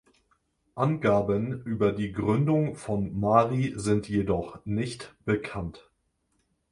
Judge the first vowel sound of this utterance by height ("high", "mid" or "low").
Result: low